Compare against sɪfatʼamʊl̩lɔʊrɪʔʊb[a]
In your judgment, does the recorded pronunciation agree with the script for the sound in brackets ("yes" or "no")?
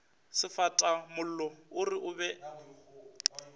no